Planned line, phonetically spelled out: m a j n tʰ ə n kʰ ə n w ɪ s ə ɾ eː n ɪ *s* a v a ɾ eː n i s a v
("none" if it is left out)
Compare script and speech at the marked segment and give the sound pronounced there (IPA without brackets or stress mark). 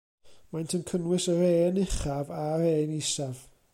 χ